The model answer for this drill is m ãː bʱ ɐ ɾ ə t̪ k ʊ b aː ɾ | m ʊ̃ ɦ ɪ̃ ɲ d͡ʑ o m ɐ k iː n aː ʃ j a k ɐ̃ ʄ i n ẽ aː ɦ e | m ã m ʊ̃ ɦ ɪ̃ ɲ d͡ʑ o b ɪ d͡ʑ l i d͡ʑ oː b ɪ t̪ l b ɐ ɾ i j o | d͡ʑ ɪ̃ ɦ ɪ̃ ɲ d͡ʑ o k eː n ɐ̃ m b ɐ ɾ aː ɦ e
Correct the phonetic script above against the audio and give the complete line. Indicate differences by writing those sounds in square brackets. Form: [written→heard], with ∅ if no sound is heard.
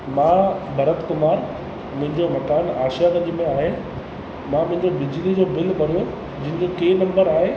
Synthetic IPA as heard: m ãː bʱ ɐ ɾ ə t̪ k ʊ [b→m] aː ɾ | m ʊ̃ ɦ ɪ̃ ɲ d͡ʑ o m ɐ k [iː→aː] n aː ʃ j a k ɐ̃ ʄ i [n→m] ẽ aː ɦ e | m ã m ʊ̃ ɦ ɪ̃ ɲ d͡ʑ o b ɪ d͡ʑ l i d͡ʑ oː b ɪ [t̪→∅] l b ɐ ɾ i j o | d͡ʑ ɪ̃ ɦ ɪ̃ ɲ d͡ʑ o k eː n ɐ̃ m b [ɐ→ə] ɾ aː ɦ e